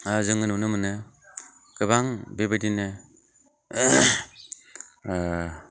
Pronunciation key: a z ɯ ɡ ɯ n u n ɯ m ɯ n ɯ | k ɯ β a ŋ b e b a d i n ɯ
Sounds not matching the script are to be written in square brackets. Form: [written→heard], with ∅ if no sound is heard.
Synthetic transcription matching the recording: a z ɯ [ɡ→ŋ] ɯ n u n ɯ m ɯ n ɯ | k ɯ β a ŋ b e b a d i n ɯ